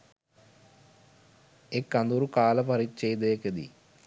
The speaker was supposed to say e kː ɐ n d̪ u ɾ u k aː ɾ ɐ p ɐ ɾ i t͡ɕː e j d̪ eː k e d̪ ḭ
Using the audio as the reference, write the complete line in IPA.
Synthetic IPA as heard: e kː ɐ n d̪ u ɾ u k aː l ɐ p ɐ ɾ i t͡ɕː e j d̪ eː k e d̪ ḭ